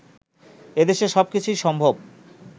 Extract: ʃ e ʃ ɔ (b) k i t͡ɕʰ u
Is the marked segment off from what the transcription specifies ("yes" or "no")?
no